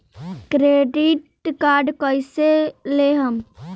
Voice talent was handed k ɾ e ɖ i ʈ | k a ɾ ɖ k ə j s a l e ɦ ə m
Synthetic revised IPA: k ɾ e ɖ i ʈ | k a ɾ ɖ k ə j s e l e ɦ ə m